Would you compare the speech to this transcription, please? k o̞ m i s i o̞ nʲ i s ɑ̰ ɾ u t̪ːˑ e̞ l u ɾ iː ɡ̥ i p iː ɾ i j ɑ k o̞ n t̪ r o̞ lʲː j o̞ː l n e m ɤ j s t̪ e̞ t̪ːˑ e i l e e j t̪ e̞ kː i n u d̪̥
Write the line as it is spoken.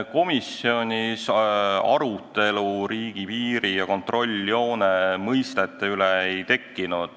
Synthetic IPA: k o̞ m i s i o̞ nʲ i s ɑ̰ ɾ u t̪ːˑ e̞ l u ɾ iː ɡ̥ i p iː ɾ i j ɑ k o̞ n t̪ r o̞ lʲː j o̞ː n e m ɤ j s t̪ e̞ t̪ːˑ e y l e e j t̪ e̞ kː i n u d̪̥